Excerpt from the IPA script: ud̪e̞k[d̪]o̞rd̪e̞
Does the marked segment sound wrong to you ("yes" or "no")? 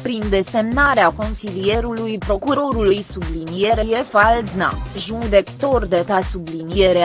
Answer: yes